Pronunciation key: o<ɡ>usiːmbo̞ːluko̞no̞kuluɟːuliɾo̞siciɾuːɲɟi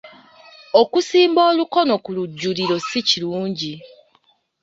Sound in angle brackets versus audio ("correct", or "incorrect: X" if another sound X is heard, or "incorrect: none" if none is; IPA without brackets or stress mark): incorrect: k